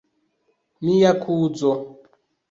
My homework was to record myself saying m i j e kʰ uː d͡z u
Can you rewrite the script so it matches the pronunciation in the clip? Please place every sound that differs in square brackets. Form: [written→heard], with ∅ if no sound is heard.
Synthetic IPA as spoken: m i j [e→a] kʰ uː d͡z [u→ɔ]